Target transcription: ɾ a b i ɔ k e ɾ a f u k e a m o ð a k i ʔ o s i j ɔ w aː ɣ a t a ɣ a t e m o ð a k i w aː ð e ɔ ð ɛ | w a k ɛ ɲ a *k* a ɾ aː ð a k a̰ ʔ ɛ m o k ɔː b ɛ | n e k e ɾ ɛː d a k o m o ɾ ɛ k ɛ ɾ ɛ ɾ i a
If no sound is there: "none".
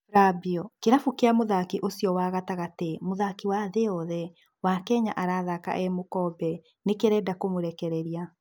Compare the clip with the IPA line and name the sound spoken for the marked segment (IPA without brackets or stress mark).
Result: ʔ